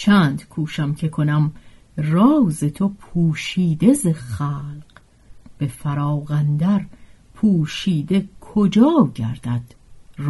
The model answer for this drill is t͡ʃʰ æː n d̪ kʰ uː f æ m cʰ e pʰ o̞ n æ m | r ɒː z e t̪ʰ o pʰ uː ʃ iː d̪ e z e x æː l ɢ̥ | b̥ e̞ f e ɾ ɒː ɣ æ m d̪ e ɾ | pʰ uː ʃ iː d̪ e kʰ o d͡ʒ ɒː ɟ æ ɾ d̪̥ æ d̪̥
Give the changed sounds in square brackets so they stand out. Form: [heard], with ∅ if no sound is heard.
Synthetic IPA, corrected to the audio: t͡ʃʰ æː n d̪ kʰ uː [ʃ] æ m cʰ e [kʰ] o̞ n æ m | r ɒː z e t̪ʰ o pʰ uː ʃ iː d̪ e z e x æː l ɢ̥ | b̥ e̞ f [æ] ɾ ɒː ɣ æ [n] d̪ [æ] ɾ | pʰ uː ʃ iː d̪ e kʰ o d͡ʒ ɒː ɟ æ ɾ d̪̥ æ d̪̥